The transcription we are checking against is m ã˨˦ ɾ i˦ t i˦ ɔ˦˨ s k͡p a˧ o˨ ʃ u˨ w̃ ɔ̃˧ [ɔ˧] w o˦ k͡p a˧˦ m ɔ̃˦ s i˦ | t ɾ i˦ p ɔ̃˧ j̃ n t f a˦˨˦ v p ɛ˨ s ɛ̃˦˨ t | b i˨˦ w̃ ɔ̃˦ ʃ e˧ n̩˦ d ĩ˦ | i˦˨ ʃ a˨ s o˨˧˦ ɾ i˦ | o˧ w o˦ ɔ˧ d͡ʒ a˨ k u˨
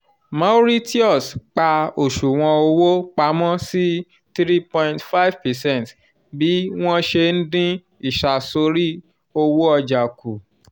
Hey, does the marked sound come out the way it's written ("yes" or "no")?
no